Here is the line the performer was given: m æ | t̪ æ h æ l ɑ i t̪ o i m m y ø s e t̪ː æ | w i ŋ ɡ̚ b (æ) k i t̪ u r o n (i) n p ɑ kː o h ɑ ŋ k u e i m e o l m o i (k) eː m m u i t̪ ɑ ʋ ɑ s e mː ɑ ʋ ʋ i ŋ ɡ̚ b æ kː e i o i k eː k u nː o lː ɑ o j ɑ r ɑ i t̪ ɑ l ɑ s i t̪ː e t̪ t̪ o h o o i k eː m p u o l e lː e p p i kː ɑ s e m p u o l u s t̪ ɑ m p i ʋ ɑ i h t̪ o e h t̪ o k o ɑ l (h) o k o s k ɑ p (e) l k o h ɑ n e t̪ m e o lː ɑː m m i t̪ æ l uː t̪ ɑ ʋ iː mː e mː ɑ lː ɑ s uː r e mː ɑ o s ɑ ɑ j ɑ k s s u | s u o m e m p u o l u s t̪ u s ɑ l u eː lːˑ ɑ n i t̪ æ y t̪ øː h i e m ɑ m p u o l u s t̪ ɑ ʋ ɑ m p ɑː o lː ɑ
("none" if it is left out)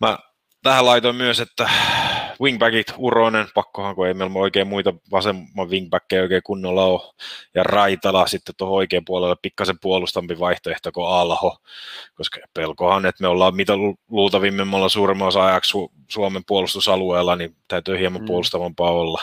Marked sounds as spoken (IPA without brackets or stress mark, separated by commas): æ, e, k, h, e